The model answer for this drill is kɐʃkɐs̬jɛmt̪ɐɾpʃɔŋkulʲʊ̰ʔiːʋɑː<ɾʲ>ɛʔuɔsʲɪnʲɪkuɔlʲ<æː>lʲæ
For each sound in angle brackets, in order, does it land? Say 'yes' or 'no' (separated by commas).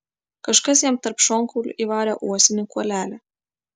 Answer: yes, yes